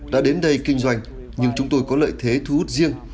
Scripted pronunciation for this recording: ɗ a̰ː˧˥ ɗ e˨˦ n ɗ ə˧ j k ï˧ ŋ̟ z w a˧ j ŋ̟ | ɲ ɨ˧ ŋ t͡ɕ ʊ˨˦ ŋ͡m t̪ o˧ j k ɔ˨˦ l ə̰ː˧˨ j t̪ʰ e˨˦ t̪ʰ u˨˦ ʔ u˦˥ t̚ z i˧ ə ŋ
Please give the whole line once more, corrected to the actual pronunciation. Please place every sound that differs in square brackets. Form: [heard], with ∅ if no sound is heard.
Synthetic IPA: ɗ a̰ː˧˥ ɗ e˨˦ n ɗ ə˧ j k ï˧ ŋ̟ z w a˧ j ŋ̟ | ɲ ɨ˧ ŋ t͡ɕ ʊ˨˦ ŋ͡m t̪ o˧ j k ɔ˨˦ l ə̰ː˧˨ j t̪ʰ e˨˦ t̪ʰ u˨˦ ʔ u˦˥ t̚ z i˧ ə ŋ